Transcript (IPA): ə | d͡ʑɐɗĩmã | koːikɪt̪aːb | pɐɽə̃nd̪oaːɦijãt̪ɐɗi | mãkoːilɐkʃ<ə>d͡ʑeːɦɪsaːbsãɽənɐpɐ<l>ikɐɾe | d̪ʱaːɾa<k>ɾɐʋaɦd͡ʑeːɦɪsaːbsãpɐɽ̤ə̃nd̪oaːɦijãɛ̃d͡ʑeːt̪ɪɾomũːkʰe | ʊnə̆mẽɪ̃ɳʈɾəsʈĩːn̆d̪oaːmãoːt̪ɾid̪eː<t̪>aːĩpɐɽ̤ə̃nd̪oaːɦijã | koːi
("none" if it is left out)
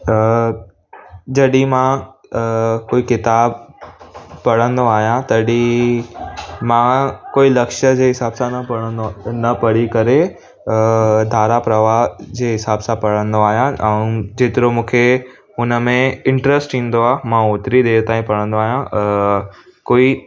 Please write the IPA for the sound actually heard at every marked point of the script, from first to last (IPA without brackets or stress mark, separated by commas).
ə, ɽ, p, t̪